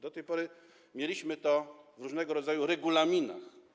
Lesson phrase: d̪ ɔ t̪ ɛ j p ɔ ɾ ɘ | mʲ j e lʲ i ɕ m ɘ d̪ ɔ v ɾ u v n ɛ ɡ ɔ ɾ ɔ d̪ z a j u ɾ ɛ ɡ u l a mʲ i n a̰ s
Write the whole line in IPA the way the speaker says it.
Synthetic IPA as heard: d̪ ɔ t̪ ɛ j p ɔ ɾ ɘ | mʲ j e lʲ i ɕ m ɘ t̪ ɔ v ɾ u ʐ n ɛ ɡ ɔ ɾ ɔ d̪ z a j u ɾ ɛ ɡ u l a mʲ i n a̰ x